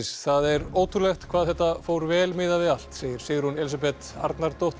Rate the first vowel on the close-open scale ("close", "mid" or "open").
open